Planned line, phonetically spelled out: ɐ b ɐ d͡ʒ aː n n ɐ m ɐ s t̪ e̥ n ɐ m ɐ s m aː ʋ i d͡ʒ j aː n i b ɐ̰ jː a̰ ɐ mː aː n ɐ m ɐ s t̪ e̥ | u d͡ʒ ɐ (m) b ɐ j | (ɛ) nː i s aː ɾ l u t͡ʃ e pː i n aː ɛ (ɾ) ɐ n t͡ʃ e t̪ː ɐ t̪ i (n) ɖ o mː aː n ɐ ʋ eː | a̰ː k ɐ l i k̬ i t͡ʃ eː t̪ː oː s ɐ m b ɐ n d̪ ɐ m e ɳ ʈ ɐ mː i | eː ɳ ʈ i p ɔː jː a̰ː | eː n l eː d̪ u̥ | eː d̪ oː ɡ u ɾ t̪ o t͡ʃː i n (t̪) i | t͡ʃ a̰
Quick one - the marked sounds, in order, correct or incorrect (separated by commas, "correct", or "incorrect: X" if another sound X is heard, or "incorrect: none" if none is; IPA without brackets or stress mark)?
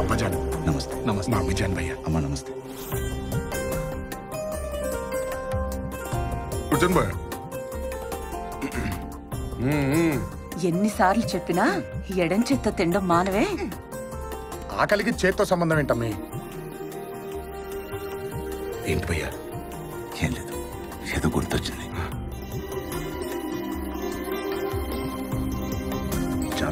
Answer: incorrect: n, incorrect: e, incorrect: ɽ, incorrect: ɳ, incorrect: d̪